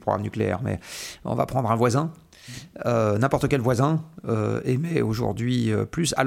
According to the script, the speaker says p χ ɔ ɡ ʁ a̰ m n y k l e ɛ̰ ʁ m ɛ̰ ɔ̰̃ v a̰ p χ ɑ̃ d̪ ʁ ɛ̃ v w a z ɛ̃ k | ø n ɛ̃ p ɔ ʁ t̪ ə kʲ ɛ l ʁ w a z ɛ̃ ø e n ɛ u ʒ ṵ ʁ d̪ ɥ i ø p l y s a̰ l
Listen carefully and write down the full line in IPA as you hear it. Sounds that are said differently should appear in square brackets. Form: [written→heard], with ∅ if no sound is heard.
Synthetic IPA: p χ ɔ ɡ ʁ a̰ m n y k l e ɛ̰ ʁ m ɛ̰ ɔ̰̃ v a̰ p χ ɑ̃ d̪ ʁ ɛ̃ v w a z ɛ̃ [k→∅] | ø n ɛ̃ p ɔ ʁ t̪ ə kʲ ɛ l [ʁ→v] w a z ɛ̃ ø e [n→m] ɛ [u→o] ʒ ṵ ʁ d̪ ɥ i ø p l y s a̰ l